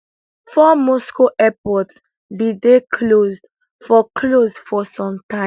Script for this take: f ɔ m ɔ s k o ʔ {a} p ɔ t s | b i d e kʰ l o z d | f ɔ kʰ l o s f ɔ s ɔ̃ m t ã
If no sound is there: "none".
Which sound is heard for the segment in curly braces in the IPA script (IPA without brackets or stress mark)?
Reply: ɛ